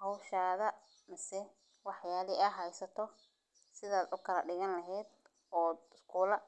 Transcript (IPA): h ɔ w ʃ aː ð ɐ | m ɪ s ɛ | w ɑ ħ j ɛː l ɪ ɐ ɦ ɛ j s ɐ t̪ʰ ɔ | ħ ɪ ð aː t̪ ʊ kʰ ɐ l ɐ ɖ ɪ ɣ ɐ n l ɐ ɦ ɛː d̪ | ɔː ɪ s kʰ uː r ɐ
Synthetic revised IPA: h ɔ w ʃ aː ð ɐ | m ɪ s ɛ | w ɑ ħ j aː l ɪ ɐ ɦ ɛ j s ɐ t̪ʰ ɔ | s ɪ ð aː d̪ ʊ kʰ ɐ l ɐ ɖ ɪ ɣ ɐ n l ɐ ɦ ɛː d̪ | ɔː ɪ s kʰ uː l ɐ